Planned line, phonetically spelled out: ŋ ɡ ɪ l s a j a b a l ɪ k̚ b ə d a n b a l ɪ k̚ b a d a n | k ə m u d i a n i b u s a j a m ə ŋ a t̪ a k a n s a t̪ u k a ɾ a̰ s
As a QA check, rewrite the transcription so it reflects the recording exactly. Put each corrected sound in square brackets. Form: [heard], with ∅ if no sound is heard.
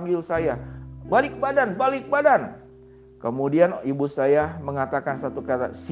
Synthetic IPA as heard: ŋ ɡ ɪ l s a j a b a l ɪ k̚ b [a] d a n b a l ɪ k̚ b a d a n | k ə m u d i a n i b u s a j a m ə ŋ a t̪ a k a n s a t̪ u k a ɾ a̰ s